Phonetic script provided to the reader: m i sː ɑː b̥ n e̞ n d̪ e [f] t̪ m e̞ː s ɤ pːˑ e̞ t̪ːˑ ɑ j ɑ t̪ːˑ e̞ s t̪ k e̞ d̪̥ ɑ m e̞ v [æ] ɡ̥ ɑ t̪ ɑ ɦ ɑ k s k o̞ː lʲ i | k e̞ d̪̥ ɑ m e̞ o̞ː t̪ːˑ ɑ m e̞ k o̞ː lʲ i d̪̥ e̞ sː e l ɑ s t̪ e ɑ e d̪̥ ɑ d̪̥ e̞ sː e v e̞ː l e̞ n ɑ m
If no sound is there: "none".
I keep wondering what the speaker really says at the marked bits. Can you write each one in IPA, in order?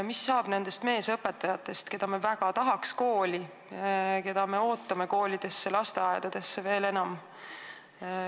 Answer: s, æ

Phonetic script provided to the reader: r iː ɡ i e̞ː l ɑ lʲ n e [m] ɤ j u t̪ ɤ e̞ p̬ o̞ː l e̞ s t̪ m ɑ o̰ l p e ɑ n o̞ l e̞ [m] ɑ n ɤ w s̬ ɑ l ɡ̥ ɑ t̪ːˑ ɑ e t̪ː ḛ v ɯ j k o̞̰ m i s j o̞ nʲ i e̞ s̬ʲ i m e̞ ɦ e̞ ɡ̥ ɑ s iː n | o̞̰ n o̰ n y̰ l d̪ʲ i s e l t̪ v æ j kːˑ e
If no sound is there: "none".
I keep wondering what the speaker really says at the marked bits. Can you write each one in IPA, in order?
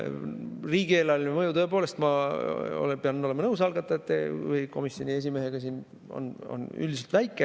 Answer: m, m

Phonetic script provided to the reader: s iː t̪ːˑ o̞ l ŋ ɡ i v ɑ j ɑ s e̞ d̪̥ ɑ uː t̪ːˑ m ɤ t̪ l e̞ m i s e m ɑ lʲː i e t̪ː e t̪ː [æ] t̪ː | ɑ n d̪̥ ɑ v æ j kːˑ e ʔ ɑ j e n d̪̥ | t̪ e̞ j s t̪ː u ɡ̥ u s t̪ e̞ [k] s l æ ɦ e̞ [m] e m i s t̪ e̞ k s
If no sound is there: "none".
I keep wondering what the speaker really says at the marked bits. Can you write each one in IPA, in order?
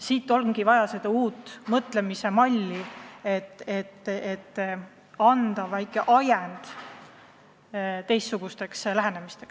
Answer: e, k, n

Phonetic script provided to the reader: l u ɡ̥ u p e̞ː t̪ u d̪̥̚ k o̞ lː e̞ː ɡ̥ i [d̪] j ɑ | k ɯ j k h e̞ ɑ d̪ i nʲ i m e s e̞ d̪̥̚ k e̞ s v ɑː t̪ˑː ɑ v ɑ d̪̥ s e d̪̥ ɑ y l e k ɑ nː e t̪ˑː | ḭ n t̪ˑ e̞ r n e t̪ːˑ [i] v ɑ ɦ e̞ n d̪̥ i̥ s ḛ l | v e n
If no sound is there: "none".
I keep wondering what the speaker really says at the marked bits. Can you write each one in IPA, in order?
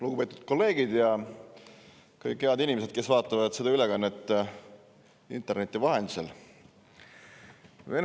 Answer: d̪, i

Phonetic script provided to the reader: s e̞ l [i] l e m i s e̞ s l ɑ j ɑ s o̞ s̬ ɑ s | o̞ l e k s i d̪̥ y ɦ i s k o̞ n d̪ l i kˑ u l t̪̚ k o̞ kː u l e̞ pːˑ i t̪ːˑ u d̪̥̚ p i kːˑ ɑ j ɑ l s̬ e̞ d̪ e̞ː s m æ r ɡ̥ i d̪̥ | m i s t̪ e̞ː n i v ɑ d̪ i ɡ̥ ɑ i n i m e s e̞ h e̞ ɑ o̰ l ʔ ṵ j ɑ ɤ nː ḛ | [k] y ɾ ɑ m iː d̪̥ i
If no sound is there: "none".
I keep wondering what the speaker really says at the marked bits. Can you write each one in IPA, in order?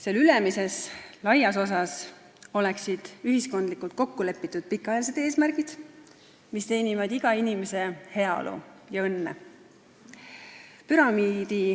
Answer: y, p

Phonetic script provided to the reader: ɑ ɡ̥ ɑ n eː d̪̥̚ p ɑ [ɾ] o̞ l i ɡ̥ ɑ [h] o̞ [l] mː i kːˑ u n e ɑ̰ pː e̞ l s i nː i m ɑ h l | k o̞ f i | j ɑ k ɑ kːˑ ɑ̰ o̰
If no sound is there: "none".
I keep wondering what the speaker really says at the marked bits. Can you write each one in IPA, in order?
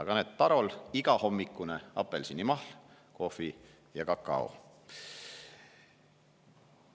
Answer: ɾ, h, none

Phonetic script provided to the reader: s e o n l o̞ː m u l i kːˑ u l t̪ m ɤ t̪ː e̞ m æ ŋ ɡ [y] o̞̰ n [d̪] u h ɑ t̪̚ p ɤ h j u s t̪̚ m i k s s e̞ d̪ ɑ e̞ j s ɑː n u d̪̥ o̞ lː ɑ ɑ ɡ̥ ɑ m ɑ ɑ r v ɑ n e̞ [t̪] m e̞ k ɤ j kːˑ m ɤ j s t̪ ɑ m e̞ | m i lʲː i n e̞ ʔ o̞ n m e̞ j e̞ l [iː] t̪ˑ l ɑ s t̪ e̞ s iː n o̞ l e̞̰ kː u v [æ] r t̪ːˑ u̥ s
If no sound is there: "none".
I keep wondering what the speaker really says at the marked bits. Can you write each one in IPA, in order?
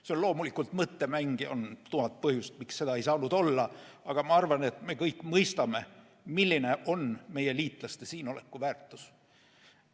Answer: i, t̪, t̪, iː, æː

